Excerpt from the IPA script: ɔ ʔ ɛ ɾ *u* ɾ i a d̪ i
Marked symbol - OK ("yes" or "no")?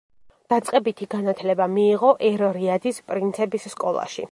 no